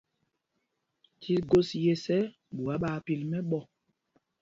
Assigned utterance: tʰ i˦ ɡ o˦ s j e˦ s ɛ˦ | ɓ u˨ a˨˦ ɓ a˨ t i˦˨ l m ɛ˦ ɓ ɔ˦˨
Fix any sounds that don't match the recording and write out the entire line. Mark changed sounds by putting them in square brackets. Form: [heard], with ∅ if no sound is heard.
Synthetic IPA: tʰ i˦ ɡ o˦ s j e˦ s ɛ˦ | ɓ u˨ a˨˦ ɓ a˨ [p] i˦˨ l m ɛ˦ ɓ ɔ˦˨